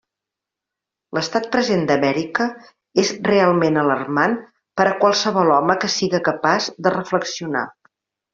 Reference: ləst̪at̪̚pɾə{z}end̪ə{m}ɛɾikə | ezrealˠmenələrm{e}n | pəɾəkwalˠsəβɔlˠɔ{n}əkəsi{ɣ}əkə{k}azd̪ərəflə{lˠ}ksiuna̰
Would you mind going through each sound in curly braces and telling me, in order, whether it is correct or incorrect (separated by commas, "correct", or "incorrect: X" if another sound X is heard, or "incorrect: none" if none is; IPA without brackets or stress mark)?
correct, correct, incorrect: a, incorrect: m, correct, incorrect: p, incorrect: none